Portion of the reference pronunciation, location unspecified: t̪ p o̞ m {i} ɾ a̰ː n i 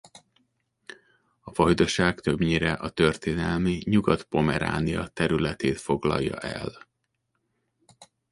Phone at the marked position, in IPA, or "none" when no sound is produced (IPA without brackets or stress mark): ɛ